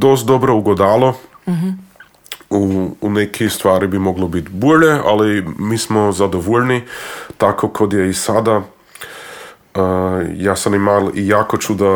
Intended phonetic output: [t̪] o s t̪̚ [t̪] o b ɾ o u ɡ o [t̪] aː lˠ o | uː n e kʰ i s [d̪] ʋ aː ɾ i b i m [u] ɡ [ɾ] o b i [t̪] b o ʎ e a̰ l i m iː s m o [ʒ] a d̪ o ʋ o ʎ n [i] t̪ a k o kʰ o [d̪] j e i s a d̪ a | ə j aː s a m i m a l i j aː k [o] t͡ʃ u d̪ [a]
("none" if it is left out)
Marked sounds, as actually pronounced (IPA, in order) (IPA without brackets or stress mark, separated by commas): d̪, d̪, d̪, t̪, o, l, t̪, z, i, d̪, o, a